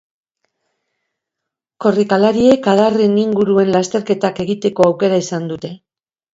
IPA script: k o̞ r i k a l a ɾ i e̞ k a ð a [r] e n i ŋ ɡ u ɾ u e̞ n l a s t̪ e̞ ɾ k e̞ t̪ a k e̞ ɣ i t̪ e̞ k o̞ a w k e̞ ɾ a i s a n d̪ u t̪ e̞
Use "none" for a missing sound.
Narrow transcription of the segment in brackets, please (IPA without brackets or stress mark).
r